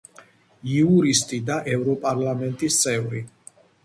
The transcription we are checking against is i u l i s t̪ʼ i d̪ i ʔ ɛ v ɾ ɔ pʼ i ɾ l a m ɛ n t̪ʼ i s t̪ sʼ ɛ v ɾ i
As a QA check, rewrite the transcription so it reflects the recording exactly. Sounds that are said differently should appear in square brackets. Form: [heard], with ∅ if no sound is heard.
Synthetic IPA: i u [ɾ] i s t̪ʼ i d̪ [a] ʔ ɛ v ɾ ɔ pʼ [a] ɾ l a m ɛ n t̪ʼ i s t̪ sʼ ɛ v ɾ i